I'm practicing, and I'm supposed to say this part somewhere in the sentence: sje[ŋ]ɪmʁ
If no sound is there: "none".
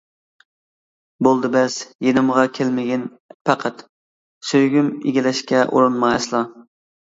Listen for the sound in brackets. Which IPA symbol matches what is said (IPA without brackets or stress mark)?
n